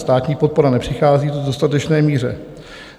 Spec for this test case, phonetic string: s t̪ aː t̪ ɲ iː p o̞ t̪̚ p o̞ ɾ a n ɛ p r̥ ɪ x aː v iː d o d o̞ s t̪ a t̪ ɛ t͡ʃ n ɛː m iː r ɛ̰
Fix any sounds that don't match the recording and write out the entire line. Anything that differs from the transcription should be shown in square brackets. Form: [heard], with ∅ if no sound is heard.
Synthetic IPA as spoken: s t̪ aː t̪ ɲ iː p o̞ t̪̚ p o̞ ɾ a n ɛ p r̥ ɪ x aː [z] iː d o d o̞ s t̪ a t̪ ɛ t͡ʃ n ɛː m iː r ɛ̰